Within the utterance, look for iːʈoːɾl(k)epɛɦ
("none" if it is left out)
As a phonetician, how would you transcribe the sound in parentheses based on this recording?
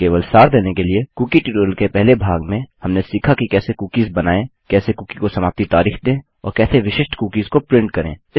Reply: k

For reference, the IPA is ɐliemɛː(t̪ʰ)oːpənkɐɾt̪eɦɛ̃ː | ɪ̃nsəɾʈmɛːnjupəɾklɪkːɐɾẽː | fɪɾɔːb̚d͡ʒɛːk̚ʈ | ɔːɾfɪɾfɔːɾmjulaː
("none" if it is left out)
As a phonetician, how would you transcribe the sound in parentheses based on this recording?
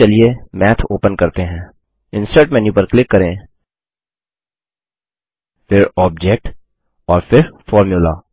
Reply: t̪ʰ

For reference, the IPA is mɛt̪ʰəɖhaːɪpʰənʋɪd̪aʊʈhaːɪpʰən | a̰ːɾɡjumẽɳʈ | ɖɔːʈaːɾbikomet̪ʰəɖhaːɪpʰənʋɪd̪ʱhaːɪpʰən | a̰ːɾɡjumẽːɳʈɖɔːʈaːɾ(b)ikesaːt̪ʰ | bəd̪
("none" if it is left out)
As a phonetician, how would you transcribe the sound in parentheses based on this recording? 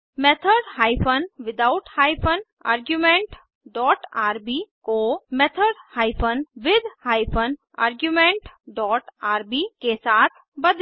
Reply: b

